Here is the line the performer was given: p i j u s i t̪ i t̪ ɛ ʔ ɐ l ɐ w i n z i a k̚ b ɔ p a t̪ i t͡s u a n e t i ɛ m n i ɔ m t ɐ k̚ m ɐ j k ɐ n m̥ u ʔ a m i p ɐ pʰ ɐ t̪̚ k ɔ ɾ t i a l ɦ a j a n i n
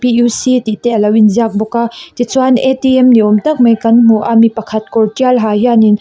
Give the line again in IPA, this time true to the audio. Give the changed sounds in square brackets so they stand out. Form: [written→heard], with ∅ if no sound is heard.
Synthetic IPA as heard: p i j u s i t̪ i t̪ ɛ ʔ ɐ l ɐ w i n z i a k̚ b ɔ [p→k] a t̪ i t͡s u a n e t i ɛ m n i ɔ m t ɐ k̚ m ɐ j k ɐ n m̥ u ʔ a m i p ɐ [pʰ→kʰ] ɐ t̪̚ k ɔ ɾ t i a l ɦ a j a n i n